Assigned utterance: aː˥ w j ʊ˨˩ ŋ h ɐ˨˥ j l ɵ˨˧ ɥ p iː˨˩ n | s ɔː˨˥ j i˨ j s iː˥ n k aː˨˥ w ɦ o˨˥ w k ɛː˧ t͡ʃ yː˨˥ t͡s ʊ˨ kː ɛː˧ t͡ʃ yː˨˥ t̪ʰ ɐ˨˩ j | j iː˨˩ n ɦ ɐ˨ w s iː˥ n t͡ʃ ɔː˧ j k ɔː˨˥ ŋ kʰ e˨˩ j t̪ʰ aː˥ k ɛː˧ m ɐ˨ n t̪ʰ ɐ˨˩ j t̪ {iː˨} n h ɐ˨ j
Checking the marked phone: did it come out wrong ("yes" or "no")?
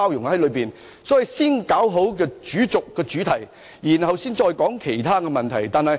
yes